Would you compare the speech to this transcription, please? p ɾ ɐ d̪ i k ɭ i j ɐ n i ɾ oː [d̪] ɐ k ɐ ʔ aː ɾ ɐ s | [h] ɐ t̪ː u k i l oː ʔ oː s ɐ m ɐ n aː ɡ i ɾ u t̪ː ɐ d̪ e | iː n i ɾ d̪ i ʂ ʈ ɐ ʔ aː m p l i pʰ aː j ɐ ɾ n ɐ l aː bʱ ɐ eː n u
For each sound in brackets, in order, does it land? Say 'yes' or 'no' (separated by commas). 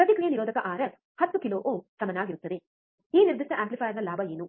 yes, yes